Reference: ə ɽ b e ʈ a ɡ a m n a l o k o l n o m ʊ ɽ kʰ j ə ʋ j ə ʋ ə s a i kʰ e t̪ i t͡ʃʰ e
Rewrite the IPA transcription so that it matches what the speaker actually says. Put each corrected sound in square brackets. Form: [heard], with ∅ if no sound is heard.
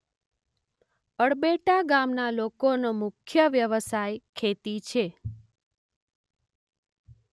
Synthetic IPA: ə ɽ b e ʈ a ɡ a m n a l o k o [∅] n o m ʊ [∅] kʰ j ə ʋ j ə ʋ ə s a [j] kʰ e t̪ i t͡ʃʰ e